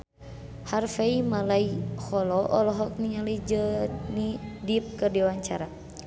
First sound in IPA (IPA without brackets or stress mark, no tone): h